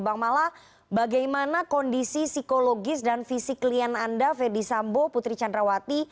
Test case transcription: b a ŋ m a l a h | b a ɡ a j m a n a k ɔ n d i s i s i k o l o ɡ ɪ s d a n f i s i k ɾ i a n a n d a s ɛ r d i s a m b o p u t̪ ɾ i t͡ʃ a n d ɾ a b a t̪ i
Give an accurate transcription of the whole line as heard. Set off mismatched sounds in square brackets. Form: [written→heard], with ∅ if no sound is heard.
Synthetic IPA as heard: b a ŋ m a l a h | b a ɡ a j m a n a k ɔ n d i s i s i k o l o ɡ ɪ s d a n f i s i k [ɾ→l] i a n a n d a [s→f] ɛ r d i s a m b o p u t̪ ɾ i t͡ʃ a n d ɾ a [b→w] a t̪ i